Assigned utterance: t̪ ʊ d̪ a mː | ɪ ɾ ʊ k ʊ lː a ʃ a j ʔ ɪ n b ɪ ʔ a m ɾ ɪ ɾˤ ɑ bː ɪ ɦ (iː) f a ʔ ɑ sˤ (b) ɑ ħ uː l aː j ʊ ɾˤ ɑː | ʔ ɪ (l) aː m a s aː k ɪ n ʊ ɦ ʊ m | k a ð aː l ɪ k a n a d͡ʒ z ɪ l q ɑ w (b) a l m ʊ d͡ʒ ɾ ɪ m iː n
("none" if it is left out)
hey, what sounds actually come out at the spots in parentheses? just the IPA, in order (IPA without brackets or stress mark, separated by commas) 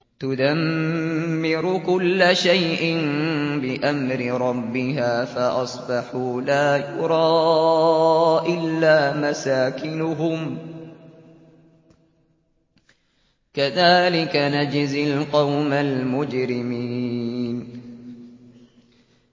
aː, b, lː, m